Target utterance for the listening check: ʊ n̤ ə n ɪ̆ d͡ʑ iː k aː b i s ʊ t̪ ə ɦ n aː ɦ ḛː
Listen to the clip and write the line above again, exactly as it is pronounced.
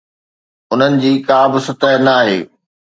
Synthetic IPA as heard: ʊ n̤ ə n ɪ̆ d͡ʑ iː k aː b ɪ s ʊ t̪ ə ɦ n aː ɦ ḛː